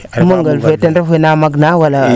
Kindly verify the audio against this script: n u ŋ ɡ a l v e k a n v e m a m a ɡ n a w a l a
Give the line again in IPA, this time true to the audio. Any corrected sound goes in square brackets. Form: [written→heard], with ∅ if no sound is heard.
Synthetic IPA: [n→m] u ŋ ɡ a l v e [k→t] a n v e [m→n] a m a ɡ n a w a l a